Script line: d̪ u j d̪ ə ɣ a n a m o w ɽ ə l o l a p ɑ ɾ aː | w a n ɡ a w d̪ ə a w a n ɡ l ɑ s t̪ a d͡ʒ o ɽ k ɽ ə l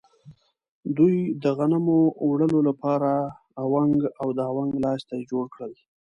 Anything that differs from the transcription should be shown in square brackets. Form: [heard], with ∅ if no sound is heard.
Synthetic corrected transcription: d̪ u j d̪ ə ɣ a n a m o w ɽ ə l o l a p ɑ ɾ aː | w a [ŋ] ɡ a w d̪ ə a w a [ŋ] ɡ l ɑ s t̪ a d͡ʒ o ɽ k ɽ ə l